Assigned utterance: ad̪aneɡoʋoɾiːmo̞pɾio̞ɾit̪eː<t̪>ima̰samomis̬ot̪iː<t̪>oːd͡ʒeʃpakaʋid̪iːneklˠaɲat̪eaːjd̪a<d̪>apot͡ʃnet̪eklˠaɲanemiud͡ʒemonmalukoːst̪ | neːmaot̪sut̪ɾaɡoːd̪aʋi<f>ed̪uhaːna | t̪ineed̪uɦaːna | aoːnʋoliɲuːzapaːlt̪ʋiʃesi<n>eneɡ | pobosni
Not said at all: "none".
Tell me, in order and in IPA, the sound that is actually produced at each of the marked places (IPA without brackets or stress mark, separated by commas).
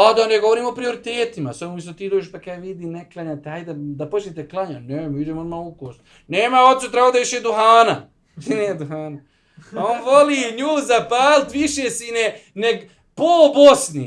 t̪, d̪, d̪, ʃ, n